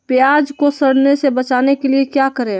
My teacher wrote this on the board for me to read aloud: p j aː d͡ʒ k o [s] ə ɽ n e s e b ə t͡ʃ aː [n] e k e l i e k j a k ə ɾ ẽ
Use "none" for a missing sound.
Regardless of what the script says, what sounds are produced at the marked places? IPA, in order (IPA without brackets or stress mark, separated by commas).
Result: s, n